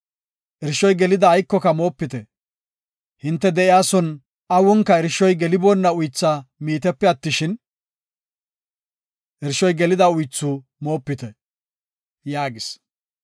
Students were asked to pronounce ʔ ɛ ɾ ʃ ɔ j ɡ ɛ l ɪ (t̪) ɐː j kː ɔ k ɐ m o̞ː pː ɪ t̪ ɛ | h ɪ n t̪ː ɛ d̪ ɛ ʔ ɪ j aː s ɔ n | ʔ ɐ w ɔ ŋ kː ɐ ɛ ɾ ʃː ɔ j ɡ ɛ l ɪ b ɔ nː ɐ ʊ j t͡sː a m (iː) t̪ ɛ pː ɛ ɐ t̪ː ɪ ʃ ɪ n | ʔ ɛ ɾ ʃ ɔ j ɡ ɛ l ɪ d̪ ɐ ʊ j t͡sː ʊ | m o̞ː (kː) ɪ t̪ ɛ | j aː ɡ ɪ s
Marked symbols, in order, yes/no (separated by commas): no, yes, no